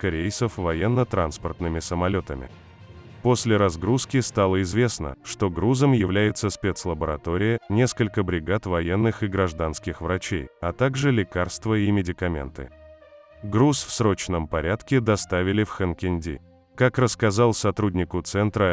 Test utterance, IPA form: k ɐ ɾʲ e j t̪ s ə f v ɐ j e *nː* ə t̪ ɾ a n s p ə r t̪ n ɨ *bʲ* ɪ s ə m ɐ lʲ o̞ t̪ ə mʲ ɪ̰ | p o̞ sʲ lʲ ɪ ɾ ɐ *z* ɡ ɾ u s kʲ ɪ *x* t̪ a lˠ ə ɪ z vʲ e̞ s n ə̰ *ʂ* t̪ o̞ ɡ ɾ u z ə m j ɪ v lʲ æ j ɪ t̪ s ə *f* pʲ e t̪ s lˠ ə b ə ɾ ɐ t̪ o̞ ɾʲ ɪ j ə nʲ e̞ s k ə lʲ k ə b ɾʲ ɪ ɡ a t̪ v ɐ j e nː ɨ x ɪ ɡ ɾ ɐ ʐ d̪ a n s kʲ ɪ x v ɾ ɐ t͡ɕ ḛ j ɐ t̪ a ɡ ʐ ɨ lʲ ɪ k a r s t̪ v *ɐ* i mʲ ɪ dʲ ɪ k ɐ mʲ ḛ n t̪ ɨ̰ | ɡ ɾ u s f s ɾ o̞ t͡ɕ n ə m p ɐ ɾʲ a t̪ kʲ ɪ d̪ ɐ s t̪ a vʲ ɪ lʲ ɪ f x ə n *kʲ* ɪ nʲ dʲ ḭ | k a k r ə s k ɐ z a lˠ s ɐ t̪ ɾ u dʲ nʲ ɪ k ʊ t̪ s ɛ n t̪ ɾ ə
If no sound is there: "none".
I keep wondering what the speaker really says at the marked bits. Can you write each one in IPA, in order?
nː, mʲ, z, s, ʂ, s, ə, kʲ

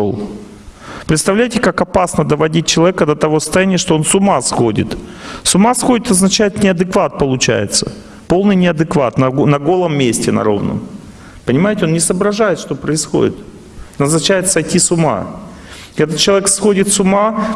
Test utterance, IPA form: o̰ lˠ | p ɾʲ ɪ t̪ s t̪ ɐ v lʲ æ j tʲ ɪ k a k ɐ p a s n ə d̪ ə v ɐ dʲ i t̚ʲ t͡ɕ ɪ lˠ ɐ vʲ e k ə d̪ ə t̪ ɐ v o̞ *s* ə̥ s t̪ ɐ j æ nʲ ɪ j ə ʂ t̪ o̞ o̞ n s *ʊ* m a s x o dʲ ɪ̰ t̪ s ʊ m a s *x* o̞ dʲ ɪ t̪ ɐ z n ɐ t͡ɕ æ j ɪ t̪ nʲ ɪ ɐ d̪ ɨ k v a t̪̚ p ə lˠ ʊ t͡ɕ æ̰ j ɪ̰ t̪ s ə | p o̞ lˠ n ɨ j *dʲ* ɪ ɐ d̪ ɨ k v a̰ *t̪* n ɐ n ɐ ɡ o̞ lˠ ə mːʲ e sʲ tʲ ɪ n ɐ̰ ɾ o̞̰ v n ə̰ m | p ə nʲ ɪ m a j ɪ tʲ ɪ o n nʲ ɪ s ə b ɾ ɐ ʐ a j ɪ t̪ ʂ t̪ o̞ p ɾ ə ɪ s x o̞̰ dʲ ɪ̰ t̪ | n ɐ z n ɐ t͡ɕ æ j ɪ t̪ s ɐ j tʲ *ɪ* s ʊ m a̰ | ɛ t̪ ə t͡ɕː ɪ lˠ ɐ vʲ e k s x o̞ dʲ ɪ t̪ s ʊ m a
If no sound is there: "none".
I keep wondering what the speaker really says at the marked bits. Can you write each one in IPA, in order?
s, ʊ, x, nʲ, t̪, i

